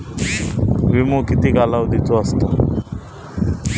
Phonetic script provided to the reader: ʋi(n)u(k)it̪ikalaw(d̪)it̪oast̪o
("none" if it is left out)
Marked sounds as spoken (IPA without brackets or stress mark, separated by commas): m, k, d̪